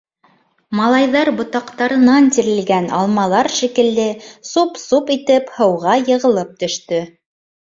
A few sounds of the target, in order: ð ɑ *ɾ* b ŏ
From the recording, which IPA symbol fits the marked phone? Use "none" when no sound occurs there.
ɾ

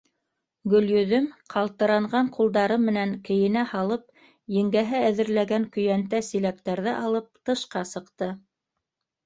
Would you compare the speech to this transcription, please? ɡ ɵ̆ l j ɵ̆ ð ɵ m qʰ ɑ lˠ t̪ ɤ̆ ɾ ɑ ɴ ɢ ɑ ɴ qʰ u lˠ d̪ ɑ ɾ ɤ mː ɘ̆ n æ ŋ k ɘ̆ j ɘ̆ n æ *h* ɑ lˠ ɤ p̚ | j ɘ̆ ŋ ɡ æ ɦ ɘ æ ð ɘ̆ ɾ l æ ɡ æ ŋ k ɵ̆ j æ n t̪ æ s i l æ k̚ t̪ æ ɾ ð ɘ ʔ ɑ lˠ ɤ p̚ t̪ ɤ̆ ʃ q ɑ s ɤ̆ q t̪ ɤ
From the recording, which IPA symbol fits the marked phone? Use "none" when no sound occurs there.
h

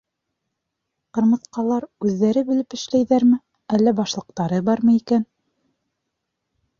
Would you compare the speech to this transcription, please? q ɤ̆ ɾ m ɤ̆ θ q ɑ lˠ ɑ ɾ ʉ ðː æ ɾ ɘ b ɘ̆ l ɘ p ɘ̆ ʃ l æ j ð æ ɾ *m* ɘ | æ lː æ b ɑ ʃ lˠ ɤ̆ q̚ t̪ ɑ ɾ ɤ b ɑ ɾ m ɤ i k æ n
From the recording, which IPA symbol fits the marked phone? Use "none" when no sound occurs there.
m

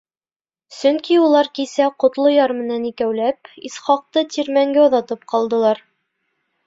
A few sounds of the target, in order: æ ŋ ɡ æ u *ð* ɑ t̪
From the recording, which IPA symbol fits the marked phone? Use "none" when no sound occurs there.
ð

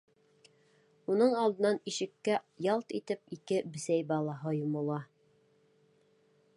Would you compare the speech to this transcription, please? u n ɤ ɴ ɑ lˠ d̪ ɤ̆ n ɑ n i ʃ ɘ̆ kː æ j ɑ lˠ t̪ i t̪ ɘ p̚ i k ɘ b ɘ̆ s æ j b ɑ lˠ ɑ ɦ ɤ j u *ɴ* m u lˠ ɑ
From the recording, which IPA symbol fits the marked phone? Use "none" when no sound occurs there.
none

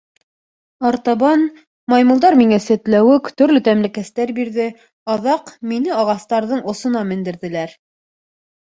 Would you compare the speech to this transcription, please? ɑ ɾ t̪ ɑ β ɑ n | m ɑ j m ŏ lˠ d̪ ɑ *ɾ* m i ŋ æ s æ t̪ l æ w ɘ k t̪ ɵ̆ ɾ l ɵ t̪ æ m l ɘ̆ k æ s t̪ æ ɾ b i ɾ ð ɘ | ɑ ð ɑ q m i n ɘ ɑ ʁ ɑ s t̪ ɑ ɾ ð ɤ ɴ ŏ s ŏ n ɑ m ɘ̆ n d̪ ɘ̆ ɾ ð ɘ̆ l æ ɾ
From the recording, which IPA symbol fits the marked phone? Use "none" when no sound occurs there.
ɾ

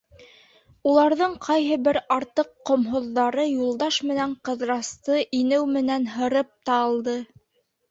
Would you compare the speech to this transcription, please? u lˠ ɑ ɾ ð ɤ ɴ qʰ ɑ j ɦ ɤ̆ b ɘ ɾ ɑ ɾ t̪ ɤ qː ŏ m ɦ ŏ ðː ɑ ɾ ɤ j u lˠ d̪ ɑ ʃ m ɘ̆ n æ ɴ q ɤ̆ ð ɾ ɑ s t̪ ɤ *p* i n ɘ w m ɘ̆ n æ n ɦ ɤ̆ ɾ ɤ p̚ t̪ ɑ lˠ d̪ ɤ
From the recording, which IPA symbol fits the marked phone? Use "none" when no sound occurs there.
ʔ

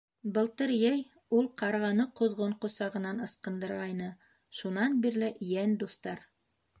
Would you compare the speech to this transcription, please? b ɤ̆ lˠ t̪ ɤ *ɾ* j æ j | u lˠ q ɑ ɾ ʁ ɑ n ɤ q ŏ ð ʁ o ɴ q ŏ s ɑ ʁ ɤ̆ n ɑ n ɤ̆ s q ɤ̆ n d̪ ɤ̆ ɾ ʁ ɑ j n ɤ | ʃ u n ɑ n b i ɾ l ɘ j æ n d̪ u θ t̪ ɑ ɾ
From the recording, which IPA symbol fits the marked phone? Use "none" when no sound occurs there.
ɾ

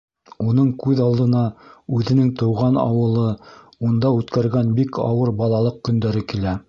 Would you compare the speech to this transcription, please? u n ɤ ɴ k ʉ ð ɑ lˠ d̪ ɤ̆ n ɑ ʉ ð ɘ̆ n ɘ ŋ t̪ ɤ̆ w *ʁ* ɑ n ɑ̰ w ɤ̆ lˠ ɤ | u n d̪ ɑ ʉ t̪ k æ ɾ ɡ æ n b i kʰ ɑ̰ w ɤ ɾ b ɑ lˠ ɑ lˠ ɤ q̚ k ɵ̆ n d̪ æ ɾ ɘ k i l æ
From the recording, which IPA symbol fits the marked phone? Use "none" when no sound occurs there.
ʁ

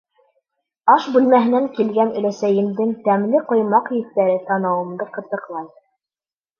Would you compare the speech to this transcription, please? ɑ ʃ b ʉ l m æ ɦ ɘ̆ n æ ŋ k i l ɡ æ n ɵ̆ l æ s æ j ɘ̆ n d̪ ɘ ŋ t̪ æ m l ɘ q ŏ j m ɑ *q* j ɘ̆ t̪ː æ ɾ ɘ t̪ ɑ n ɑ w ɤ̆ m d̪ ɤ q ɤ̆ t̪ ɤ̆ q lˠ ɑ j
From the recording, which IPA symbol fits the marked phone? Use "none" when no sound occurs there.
q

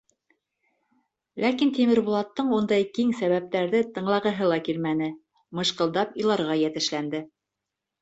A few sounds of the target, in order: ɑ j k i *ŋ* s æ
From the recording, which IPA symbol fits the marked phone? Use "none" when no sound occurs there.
ŋ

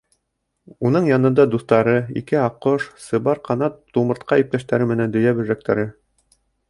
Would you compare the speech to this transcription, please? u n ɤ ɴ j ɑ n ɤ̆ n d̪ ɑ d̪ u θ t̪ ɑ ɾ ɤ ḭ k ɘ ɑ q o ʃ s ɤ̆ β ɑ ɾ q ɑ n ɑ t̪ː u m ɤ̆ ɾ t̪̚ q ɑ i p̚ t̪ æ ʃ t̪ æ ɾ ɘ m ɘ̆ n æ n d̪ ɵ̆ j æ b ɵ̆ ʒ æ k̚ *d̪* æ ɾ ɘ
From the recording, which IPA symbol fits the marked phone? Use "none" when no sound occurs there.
t̪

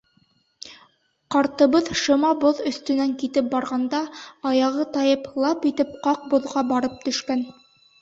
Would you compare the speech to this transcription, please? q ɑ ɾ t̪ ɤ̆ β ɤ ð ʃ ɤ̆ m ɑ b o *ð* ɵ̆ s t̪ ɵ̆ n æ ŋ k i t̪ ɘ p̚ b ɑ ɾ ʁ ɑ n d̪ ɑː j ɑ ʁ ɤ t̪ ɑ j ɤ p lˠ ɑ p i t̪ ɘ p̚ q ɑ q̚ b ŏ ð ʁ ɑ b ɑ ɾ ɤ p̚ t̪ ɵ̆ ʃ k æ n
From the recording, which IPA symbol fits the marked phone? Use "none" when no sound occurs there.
ð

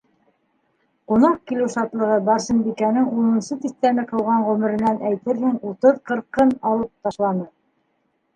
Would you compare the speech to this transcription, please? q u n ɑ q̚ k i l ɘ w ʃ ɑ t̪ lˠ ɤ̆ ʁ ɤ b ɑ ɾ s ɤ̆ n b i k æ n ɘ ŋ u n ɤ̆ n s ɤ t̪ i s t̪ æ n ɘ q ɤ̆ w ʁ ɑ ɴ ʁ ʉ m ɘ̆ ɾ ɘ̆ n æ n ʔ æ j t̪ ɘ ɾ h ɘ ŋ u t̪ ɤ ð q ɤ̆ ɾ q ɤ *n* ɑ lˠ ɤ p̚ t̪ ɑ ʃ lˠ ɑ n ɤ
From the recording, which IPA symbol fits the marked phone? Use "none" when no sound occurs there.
n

